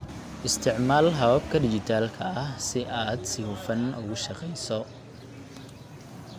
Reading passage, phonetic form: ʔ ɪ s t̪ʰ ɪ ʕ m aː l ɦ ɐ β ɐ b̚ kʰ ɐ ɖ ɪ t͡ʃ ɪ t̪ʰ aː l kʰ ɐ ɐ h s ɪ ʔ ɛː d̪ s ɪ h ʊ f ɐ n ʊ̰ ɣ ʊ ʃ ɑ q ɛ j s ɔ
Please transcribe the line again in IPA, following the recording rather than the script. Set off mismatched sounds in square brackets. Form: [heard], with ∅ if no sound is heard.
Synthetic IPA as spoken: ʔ ɪ s t̪ʰ ɪ ʕ m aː l ɦ ɐ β ɐ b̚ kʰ ɐ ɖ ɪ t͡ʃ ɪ t̪ʰ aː l kʰ ɐ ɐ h s ɪ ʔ [aː] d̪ s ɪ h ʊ f ɐ n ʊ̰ ɣ ʊ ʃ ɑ q ɛ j s ɔ